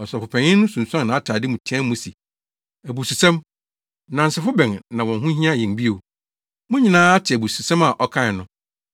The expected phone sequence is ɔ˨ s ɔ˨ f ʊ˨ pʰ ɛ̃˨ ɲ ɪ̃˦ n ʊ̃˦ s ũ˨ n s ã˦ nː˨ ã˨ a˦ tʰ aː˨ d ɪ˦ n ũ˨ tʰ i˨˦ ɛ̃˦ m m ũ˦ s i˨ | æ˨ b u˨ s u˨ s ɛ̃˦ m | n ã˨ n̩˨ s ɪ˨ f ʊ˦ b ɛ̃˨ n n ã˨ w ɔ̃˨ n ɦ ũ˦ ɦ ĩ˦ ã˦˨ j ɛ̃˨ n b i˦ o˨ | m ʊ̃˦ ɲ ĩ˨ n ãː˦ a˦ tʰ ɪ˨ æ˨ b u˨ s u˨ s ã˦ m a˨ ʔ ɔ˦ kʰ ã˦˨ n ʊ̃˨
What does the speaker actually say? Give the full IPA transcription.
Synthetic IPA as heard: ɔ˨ s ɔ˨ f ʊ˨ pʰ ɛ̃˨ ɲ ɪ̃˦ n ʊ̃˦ s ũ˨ n s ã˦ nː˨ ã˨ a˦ tʰ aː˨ d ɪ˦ m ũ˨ tʰ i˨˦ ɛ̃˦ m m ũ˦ s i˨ | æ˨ b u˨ s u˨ s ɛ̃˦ m | n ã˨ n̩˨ s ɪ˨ f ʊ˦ b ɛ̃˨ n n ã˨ w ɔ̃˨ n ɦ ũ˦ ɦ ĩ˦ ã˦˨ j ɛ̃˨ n b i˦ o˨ | m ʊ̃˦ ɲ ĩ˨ n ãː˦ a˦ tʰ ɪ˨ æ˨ b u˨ s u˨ s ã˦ m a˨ ʔ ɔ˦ kʰ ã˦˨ n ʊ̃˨